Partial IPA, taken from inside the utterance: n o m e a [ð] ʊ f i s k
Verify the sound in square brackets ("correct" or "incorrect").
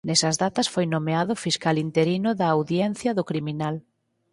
correct